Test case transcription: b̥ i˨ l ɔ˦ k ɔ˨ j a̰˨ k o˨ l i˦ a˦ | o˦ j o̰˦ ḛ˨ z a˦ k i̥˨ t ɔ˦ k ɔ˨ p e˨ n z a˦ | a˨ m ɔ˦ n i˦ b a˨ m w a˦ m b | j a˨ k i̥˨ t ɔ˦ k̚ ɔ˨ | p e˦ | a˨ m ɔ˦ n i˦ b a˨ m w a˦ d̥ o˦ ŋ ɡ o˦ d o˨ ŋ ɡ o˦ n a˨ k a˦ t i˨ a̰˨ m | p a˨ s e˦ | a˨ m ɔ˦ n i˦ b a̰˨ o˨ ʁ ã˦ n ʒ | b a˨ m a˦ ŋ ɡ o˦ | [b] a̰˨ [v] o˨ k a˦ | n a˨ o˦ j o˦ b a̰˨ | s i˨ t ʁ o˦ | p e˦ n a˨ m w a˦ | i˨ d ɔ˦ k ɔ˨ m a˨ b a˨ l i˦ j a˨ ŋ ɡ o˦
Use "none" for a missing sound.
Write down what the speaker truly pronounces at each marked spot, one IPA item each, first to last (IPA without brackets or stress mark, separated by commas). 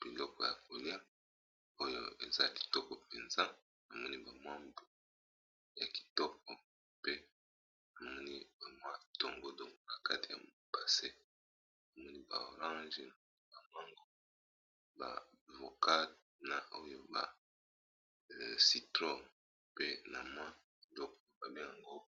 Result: b, v